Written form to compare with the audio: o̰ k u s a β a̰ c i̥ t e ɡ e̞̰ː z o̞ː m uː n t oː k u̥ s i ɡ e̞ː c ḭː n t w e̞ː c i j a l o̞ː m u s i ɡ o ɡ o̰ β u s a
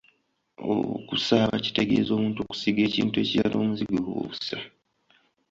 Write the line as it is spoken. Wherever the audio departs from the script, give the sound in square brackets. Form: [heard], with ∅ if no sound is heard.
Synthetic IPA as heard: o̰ k u s a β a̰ c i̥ t e ɡ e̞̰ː z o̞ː m uː n t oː k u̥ s i ɡ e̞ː c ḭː n t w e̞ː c i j a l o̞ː m u [z] i ɡ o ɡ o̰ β u s a

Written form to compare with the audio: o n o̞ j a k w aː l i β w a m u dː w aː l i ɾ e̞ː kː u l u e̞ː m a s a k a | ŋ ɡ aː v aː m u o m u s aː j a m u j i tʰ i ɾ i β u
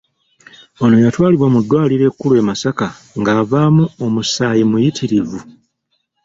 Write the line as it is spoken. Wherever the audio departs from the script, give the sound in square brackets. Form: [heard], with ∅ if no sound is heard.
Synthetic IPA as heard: o n o̞ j a [t] w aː l i β w a m u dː w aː l i ɾ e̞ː kː u l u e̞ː m a s a k a | ŋ ɡ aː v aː m u o m u s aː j [i] m u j i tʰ i ɾ i [v] u

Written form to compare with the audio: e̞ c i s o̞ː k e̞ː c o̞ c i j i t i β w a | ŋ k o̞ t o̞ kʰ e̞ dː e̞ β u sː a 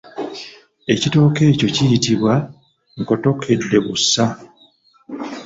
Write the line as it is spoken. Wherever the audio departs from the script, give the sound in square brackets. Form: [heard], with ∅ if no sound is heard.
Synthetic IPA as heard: e̞ c i [t] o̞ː k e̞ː c o̞ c i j i t i β w a | ŋ k o̞ t o̞ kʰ e̞ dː e̞ β u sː a

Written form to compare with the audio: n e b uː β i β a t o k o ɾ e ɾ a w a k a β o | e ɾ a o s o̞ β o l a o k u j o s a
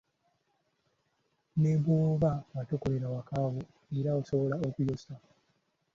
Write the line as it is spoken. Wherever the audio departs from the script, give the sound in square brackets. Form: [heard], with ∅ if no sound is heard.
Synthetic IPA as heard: n e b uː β [a] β a t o k o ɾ e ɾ a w a k a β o | e ɾ a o s o̞ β o l a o k u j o s a

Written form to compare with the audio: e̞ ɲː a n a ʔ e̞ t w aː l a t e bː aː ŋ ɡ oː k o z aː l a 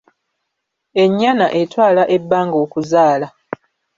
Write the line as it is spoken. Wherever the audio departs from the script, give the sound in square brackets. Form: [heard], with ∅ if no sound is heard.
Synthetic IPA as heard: e̞ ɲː a n a ʔ e̞ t w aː l a [ʔ] e bː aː ŋ ɡ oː k [u] z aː l a

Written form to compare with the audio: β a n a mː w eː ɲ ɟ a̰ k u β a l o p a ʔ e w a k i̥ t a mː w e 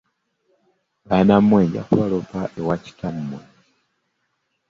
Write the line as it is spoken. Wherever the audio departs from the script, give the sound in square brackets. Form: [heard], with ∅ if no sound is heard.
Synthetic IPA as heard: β a n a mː w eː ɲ ɟ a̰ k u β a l o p a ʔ e w a [c] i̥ t a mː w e

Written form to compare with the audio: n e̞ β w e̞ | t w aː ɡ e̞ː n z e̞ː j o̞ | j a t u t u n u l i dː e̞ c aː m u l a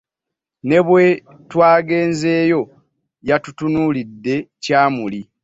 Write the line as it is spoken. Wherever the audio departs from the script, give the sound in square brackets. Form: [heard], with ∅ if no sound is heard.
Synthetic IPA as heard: n e̞ β w e̞ | t w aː ɡ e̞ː n z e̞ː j o̞ | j a t u t u n u l i dː e̞ c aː m u l [i]

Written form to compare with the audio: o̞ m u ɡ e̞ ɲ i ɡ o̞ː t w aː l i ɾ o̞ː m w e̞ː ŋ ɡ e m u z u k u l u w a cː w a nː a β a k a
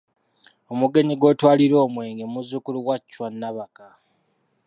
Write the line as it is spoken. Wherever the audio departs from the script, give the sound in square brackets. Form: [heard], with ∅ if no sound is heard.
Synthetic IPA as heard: o̞ m u ɡ e̞ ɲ i ɡ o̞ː t w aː l i ɾ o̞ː m w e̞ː ŋ ɡ e m u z u k u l u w a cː w a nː a β a k a

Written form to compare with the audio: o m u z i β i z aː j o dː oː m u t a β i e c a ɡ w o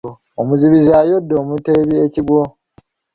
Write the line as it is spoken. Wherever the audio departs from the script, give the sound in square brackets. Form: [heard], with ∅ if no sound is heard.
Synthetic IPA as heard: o m u z i β i z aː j o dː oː m u t [e] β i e c [i] ɡ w o

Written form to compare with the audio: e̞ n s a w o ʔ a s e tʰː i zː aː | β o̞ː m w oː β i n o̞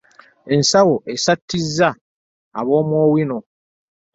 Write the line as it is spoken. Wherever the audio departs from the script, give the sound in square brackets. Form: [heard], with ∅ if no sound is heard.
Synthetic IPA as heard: e̞ n s a w o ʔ [e] s [a] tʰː i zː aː | β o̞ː m w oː [w] i n o̞

